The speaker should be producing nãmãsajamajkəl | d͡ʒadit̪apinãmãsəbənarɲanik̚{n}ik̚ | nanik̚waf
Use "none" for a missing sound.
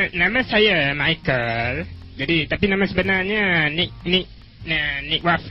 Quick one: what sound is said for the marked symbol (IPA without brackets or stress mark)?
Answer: n